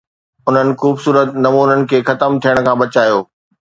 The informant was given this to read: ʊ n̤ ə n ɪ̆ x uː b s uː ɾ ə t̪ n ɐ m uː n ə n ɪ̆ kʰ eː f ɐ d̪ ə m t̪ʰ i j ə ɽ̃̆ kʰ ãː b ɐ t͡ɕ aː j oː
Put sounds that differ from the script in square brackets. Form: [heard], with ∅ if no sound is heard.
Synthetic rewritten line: ʊ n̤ ə n ɪ̆ x uː b s uː ɾ ə t̪ n ɐ m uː n ə n ɪ̆ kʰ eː [x] ɐ [t̪] ə m t̪ʰ i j ə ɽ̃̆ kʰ ãː b ɐ t͡ɕ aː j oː